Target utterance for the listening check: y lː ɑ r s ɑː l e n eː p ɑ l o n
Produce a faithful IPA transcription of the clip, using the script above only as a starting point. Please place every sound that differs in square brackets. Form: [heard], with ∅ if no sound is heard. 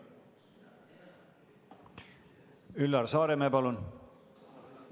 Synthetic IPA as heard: y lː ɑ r s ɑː [ɾ] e [m] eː p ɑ l [u] n